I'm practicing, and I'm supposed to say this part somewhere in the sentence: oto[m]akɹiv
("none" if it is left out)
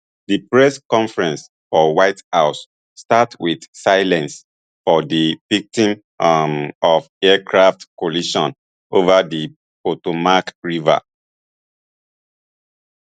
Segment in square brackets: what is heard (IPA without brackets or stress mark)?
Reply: m